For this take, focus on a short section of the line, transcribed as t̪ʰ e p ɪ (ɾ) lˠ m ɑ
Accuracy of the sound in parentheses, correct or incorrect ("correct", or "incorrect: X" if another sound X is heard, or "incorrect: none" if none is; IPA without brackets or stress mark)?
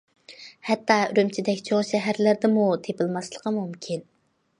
incorrect: none